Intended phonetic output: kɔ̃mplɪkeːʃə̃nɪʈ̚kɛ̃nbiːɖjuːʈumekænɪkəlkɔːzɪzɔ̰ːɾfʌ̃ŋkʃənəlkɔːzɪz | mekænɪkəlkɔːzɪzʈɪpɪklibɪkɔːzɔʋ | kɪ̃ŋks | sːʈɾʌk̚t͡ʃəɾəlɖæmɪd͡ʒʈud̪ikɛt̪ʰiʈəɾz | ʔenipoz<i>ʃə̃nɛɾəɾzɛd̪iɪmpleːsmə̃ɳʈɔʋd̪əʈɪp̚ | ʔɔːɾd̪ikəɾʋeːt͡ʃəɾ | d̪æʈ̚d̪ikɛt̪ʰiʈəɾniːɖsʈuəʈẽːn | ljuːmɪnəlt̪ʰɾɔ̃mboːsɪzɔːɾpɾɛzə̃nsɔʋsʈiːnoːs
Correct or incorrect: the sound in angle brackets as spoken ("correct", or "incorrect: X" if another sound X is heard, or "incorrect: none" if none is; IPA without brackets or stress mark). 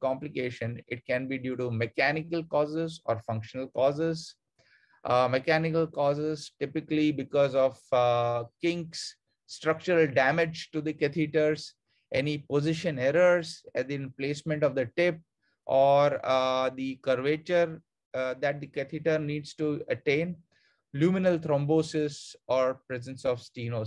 incorrect: ɪ